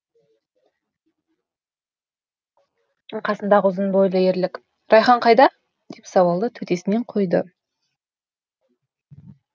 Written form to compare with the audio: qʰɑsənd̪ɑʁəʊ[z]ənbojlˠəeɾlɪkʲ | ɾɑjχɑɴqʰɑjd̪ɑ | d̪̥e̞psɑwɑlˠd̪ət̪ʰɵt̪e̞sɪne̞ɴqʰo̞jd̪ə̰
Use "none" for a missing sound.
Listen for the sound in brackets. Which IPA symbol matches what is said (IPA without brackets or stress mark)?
z